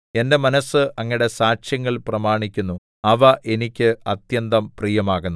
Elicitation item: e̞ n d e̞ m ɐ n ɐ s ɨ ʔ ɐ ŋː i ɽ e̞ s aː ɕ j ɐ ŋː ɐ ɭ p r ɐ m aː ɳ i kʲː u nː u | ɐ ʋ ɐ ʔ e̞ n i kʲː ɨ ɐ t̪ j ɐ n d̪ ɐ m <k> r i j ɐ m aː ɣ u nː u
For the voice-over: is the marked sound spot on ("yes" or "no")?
no